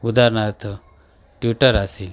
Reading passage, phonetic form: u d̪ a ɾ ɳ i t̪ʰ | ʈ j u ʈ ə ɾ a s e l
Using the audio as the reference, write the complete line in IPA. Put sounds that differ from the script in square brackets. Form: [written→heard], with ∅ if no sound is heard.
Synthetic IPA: u d̪ a ɾ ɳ [i→a] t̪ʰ | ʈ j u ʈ ə ɾ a s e l